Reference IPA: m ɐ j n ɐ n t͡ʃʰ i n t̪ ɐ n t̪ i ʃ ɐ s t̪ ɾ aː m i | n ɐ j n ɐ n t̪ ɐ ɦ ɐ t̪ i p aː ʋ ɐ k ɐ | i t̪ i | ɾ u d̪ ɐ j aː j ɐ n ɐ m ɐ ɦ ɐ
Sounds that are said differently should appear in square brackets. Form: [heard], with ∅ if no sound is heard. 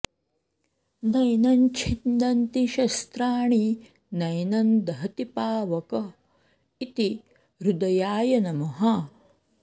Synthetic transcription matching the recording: [n] ɐ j n ɐ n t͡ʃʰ i n [d̪] ɐ n t̪ i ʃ ɐ s t̪ ɾ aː [ɳ] i | n ɐ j n ɐ n [d̪] ɐ ɦ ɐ t̪ i p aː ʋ ɐ k ɐ | i t̪ i | ɾ u d̪ ɐ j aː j ɐ n ɐ m ɐ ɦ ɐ